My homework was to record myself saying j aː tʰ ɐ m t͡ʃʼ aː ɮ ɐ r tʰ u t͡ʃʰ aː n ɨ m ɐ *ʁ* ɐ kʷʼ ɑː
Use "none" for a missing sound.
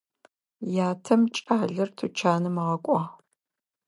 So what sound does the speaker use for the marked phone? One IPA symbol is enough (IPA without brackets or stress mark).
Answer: ʁ